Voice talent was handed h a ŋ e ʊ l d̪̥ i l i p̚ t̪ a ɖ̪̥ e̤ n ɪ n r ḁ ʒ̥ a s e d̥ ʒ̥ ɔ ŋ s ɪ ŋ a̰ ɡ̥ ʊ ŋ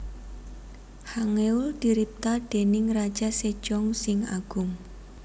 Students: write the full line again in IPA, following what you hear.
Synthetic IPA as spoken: h a ŋ e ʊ l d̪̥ i ɾ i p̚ t̪ a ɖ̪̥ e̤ n ɪ ŋ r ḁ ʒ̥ a s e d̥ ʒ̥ ɔ ŋ s ɪ ŋ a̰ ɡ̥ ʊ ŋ